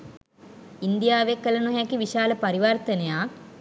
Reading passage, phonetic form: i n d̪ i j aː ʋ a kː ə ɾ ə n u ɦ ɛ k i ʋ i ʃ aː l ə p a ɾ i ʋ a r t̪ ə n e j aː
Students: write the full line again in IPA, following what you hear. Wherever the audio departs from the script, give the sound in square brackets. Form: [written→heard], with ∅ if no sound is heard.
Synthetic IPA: i n d̪ i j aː ʋ [a→e] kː ə [ɾ→l] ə n u ɦ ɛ k i ʋ i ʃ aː l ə p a ɾ i ʋ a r t̪ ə n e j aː